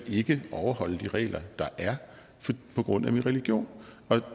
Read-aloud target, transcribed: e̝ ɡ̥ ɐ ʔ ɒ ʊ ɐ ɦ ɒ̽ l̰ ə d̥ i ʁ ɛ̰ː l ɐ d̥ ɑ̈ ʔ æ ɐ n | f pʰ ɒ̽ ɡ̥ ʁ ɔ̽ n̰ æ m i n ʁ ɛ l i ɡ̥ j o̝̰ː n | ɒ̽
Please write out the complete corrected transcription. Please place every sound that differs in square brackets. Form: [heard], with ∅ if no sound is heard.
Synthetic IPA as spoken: e̝ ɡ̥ [ə] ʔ ɒ ʊ ɐ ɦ ɒ̽ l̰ ə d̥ i ʁ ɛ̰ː l ɐ d̥ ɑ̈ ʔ æ ɐ [∅] | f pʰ ɒ̽ ɡ̥ ʁ ɔ̽ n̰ æ m i n ʁ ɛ l i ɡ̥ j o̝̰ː n | ɒ̽

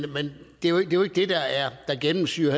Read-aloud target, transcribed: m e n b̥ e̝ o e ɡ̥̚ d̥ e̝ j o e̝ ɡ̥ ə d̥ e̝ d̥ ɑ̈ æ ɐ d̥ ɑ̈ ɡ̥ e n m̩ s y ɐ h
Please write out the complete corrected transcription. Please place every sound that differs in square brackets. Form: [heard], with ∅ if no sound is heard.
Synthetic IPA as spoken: m e n [d̥] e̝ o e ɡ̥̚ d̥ e̝ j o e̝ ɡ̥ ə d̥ e̝ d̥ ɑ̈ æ ɐ d̥ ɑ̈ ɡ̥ e n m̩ s y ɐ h

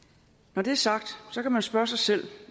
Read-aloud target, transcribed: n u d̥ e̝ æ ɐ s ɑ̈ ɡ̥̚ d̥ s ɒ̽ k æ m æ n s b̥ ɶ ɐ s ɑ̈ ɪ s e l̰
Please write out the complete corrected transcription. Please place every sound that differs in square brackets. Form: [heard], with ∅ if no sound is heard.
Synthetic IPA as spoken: n [ɒ] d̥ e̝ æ ɐ s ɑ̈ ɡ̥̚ d̥ s ɒ̽ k æ m æ n s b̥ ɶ ɐ s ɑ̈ ɪ s e l̰

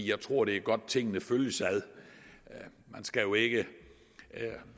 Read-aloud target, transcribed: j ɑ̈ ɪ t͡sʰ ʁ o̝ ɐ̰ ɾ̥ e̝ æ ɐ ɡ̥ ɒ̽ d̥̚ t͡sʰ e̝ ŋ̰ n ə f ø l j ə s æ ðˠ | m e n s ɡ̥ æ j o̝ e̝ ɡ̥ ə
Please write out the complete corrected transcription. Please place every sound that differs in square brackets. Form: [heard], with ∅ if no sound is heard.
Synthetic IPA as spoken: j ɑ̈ ɪ t͡sʰ ʁ o̝ ɐ̰ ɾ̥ e̝ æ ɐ ɡ̥ ɒ̽ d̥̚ t͡sʰ e̝ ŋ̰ n ə f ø l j ə s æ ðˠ | m [æ] n s ɡ̥ æ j o̝ e̝ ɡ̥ ə

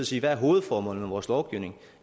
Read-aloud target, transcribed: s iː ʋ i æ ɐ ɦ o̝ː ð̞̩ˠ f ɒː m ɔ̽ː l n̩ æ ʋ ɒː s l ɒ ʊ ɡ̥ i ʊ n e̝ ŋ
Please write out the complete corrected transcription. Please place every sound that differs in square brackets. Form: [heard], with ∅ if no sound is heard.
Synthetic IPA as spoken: s iː ʋ [æ] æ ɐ ɦ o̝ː ð̞̩ˠ f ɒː m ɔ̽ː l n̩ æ ʋ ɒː s l ɒ ʊ ɡ̥ i ʊ n e̝ ŋ

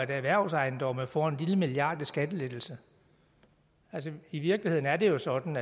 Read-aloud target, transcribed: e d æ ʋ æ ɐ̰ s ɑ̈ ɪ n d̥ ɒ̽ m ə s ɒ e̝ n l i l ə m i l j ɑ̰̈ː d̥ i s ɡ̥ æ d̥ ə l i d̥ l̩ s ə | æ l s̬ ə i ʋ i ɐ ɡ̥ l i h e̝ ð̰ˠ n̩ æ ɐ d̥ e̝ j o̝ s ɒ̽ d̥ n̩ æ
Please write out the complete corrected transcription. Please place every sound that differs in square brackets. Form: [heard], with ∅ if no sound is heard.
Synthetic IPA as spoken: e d æ ʋ æ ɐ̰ s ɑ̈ ɪ n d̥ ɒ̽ m ə [f] ɒ e̝ n l i l ə m i l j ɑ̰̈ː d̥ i s ɡ̥ æ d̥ ə l [e] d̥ l̩ s ə | æ l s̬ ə i ʋ i ɐ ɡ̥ l i h e̝ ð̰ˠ n̩ æ ɐ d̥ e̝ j o̝ s ɒ̽ d̥ n̩ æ

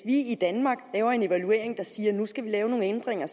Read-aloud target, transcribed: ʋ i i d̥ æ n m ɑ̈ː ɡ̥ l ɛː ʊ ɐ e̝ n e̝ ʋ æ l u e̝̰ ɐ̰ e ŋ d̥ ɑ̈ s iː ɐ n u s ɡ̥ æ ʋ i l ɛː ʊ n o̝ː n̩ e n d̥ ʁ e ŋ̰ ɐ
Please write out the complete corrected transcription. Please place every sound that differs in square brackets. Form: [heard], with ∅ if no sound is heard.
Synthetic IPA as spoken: ʋ i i d̥ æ n m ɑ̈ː ɡ̥ l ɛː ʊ ɐ e̝ n e̝ ʋ æ l u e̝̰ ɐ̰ e ŋ d̥ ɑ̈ s iː ɐ n u s ɡ̥ æ ʋ i l ɛː ʊ n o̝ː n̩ e n d̥ ʁ e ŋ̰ ɐ

